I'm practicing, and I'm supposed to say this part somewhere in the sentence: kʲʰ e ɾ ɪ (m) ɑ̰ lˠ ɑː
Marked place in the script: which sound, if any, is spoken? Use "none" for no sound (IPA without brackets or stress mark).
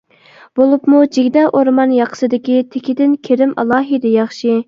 m